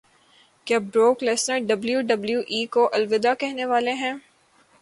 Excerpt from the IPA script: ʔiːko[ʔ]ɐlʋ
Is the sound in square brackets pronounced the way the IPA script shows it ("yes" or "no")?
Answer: yes